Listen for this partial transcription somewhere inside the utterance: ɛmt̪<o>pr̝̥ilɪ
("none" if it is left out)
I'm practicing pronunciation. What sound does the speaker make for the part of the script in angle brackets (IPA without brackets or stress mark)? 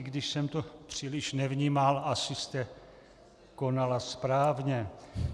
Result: o